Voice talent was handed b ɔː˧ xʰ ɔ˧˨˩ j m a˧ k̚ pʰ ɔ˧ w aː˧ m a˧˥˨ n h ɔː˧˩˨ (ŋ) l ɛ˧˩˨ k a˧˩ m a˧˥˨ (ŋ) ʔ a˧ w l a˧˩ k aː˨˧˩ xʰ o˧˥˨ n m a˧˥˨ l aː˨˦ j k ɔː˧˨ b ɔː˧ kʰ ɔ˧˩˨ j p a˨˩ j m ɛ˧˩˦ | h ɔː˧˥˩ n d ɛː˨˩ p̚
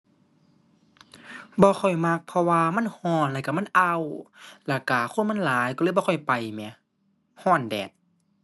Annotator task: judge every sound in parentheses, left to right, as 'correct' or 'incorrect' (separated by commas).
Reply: incorrect, incorrect